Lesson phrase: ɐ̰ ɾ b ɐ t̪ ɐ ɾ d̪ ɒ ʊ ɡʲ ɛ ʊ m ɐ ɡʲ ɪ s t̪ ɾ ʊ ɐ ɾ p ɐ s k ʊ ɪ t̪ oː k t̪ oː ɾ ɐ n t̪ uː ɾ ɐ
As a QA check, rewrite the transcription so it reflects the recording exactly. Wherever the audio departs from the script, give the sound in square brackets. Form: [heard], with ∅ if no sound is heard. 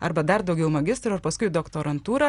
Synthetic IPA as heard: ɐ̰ ɾ b ɐ [d̪] ɐ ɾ d̪ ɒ ʊ ɡʲ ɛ ʊ m ɐ ɡʲ ɪ s t̪ ɾ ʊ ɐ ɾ p ɐ s k ʊ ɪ [d̪] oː k t̪ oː ɾ ɐ n t̪ uː ɾ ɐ